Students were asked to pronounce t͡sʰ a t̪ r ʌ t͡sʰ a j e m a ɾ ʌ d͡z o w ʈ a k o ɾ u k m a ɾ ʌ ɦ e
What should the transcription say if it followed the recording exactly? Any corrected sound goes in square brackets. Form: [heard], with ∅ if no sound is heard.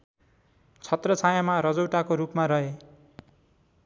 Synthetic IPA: t͡sʰ [ʌ] t̪ r ʌ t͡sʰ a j [a] m a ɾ ʌ d͡z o w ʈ a k o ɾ u [p] m a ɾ ʌ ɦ e